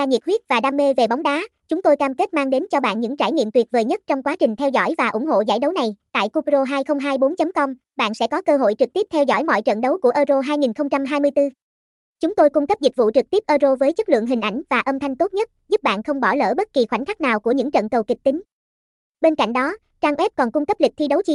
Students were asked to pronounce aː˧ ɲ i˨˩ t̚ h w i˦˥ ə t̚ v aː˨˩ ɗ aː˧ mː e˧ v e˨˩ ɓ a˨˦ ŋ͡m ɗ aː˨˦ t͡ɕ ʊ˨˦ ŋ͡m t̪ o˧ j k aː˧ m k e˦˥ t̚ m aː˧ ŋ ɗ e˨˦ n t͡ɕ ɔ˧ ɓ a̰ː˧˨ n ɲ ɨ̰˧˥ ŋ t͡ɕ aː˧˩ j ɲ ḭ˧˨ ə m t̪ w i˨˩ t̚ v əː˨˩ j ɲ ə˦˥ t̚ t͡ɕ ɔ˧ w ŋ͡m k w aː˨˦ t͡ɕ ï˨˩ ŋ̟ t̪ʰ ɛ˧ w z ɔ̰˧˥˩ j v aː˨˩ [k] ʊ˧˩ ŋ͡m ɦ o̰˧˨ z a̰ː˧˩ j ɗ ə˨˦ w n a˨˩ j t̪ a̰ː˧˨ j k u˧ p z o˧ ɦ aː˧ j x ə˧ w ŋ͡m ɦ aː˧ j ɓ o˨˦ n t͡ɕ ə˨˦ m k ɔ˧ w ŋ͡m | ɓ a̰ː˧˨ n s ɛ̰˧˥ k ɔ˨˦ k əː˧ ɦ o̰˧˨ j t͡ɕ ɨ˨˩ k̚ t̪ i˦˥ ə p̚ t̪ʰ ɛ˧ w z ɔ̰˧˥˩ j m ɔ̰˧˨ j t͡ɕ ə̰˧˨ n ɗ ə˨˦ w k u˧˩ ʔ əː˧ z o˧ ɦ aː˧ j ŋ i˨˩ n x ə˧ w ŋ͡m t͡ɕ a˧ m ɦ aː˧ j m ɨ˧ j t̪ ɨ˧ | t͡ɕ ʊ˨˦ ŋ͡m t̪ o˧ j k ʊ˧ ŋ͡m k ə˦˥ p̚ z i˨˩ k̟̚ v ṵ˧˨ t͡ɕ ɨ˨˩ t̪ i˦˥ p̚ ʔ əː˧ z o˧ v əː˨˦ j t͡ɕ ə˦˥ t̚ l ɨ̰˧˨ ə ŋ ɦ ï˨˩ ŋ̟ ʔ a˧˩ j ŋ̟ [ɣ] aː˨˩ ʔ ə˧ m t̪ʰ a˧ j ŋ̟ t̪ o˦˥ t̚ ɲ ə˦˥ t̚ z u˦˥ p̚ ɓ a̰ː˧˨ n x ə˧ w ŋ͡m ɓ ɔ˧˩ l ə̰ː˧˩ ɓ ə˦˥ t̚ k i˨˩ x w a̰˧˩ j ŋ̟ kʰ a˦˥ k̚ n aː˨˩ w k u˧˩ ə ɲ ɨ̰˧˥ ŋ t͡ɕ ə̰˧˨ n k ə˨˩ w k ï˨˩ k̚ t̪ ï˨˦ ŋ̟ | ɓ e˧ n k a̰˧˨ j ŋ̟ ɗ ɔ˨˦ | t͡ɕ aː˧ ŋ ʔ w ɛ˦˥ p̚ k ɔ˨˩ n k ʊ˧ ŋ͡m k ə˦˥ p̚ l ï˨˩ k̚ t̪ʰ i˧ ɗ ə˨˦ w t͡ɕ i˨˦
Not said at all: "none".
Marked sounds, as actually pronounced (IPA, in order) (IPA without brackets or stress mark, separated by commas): ʔ, v